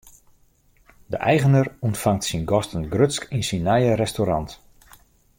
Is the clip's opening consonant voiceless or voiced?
voiced